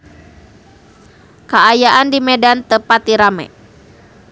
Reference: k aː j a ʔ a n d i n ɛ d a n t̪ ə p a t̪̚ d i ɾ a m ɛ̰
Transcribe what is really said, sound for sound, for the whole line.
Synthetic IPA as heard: k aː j a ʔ a n d i m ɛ d a n t̪ ə p a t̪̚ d i ɾ a m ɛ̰